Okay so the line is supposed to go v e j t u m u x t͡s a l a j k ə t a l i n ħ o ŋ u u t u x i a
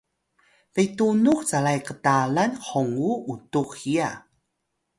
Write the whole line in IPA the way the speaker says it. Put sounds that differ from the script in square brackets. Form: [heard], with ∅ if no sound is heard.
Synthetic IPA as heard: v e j t u [n] u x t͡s a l a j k ə t a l [a] n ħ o ŋ u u t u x i a